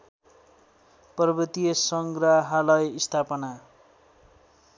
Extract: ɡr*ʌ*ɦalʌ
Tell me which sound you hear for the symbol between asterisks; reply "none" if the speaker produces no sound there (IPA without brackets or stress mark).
a